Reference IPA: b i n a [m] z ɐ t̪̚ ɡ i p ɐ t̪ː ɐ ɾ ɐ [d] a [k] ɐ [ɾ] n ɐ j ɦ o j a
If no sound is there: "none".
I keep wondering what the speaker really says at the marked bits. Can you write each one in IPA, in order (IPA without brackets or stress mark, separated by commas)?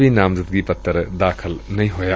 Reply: m, d, kʰ, l